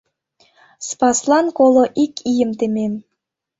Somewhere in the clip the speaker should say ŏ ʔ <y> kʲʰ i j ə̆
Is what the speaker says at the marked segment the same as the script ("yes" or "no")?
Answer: no